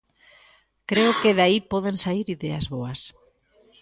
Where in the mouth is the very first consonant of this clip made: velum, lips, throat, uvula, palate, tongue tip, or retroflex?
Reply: velum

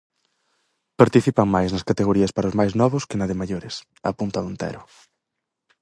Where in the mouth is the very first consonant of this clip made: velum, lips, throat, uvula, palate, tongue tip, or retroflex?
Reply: lips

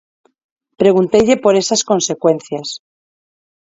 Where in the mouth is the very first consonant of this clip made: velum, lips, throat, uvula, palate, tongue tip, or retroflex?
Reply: lips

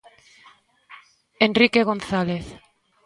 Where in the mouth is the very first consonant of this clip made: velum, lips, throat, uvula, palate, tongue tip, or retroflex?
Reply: tongue tip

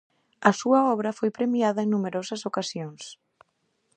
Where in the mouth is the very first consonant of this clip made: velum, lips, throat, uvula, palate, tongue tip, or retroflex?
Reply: tongue tip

